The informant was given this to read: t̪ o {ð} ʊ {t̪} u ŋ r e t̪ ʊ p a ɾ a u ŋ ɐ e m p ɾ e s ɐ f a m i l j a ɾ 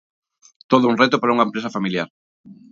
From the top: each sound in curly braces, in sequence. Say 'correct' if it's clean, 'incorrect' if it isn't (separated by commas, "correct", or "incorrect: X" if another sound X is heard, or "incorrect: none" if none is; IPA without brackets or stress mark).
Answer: correct, incorrect: none